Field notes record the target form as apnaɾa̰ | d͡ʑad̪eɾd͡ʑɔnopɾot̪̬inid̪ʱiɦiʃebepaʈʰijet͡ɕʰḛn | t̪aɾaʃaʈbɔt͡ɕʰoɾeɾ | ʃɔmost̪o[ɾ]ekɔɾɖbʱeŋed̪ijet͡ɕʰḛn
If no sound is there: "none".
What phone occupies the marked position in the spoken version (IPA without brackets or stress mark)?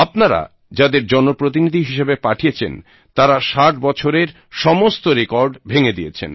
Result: ɾ